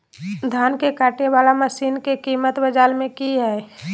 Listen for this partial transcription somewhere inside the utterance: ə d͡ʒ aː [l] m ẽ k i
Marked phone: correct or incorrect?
correct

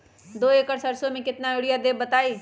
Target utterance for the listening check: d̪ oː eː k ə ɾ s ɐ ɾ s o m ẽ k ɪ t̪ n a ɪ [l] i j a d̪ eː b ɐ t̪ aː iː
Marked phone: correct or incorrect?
incorrect: ɽ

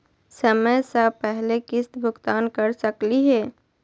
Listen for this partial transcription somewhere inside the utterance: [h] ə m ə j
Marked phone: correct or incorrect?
incorrect: s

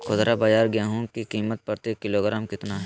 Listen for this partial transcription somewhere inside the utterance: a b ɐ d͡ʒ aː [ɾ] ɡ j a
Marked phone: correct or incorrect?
correct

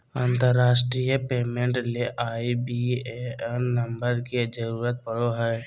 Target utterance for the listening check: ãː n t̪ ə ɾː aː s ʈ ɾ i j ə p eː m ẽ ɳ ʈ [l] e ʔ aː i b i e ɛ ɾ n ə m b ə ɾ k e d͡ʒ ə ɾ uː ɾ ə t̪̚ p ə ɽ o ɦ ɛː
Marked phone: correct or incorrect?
correct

